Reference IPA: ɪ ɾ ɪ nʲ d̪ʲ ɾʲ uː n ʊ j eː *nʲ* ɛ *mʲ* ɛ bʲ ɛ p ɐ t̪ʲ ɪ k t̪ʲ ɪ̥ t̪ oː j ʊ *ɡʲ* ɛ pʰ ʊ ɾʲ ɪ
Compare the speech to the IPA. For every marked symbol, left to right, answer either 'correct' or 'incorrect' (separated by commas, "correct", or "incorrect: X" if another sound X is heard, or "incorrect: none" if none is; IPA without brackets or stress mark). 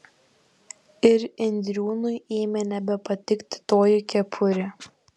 incorrect: mʲ, incorrect: nʲ, incorrect: kʲ